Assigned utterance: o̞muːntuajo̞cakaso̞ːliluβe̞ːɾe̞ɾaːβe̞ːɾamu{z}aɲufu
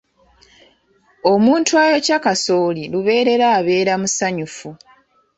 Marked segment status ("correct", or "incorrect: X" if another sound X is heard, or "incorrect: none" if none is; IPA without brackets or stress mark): incorrect: s